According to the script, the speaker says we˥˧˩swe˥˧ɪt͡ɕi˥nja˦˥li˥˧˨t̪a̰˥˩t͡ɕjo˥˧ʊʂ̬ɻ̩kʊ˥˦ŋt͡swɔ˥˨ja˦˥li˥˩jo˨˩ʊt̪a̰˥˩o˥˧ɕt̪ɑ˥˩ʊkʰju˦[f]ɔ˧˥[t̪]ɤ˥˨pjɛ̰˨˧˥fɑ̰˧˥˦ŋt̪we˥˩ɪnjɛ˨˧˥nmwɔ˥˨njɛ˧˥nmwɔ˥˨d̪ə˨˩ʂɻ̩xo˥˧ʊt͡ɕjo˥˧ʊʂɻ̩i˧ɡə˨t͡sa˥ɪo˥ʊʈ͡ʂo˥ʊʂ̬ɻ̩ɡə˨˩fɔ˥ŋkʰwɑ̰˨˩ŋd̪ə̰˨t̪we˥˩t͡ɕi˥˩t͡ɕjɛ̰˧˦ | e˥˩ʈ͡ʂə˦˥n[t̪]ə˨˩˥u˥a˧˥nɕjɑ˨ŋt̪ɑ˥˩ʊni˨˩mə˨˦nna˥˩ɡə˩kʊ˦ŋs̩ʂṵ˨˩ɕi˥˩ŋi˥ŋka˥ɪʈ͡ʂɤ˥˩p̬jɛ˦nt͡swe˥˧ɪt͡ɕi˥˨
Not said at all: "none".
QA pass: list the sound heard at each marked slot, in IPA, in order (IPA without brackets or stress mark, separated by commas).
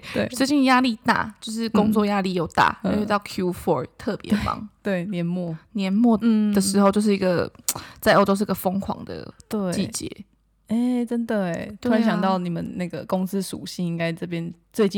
f, t̪ʰ, d̪